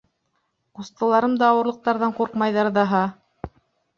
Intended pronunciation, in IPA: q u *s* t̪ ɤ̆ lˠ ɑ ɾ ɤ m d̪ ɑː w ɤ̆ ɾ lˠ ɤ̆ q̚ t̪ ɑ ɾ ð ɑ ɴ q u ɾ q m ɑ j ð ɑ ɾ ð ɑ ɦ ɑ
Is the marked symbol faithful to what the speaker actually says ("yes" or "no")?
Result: yes